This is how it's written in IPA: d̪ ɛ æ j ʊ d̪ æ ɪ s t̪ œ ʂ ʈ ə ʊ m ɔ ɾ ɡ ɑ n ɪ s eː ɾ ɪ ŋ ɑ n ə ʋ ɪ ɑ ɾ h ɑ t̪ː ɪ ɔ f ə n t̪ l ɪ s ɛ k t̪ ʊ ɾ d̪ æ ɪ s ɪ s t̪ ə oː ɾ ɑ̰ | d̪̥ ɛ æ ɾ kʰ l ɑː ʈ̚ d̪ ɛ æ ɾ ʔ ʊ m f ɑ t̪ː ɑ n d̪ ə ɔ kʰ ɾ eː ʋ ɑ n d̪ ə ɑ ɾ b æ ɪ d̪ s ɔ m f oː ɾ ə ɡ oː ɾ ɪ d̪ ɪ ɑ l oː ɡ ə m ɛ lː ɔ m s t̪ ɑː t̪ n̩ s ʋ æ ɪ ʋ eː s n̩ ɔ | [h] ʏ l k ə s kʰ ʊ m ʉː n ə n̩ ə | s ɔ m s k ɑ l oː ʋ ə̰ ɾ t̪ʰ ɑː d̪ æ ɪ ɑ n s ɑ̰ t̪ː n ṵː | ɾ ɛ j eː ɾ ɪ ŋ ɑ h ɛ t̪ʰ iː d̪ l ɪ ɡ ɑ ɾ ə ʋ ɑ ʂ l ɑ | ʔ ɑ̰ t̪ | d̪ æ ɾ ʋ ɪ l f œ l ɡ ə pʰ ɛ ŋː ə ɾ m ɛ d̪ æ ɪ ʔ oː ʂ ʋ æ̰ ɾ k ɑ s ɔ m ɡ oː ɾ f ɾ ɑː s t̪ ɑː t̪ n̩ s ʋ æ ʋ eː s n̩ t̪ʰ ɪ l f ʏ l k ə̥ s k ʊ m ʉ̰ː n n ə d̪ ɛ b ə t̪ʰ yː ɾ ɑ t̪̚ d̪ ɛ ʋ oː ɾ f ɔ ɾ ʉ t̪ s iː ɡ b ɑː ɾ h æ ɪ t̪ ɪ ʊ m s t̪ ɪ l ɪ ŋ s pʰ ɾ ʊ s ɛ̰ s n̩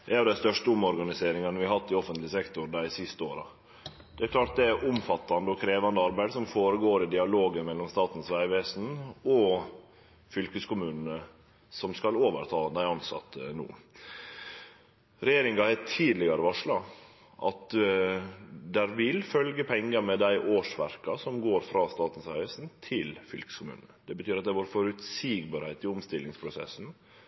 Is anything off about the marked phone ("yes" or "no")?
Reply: yes